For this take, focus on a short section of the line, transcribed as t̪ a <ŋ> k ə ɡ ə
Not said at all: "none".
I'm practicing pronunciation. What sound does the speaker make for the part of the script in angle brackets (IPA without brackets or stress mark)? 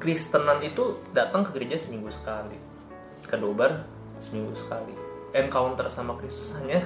ŋ